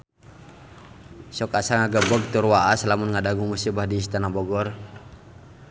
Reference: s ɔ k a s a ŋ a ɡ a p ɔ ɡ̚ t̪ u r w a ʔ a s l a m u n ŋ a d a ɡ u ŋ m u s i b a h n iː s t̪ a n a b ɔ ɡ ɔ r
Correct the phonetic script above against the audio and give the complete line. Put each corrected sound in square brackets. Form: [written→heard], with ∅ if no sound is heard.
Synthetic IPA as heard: s ɔ k a s a ŋ a ɡ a [p→b] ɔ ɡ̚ t̪ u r w a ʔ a s l a m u n ŋ a d a ɡ u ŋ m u s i b a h [n→d] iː s t̪ a n a b ɔ ɡ ɔ r